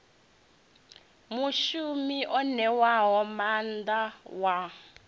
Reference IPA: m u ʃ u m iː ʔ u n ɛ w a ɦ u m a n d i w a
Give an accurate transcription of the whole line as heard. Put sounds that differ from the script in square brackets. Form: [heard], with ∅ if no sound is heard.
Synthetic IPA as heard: m u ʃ u m [i] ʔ [ɔ] n ɛ w a ɦ [ɔ] m a n d [a] w a